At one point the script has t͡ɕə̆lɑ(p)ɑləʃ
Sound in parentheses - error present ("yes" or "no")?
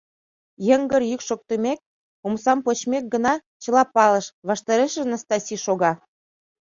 no